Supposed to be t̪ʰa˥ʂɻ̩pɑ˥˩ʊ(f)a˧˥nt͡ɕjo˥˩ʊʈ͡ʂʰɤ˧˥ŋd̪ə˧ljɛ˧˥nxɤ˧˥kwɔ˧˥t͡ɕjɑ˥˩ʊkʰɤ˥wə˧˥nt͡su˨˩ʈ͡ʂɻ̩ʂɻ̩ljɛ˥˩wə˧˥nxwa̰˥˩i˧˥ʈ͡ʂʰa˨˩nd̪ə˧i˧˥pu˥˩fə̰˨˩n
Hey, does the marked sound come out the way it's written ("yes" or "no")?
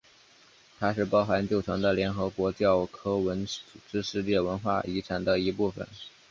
no